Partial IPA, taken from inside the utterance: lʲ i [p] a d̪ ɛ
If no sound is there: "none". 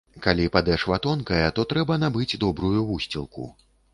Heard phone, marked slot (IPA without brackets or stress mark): p